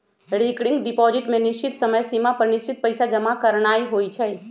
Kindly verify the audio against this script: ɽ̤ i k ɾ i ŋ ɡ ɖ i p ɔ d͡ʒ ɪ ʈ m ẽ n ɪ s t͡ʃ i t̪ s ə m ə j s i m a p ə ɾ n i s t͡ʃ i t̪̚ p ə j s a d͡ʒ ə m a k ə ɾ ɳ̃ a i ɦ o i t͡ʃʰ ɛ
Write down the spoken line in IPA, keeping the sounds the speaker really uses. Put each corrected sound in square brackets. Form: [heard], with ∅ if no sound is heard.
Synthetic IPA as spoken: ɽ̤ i k [ɽ] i ŋ ɡ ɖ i p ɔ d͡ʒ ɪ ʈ m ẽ n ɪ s t͡ʃ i t̪ s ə m ə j s i m a p ə ɾ n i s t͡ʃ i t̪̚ p ə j s a d͡ʒ ə m a k ə ɾ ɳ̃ a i ɦ o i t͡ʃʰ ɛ